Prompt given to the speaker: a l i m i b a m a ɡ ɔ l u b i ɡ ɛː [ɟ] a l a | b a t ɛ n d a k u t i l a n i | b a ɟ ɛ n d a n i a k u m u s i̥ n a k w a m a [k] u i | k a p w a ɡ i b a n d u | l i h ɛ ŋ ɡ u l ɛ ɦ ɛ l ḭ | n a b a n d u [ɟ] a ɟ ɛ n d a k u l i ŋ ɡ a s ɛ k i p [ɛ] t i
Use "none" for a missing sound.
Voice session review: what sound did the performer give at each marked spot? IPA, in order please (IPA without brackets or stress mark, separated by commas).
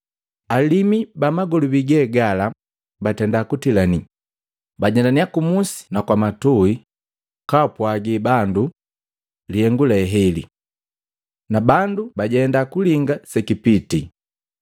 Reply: ɡ, t, b, i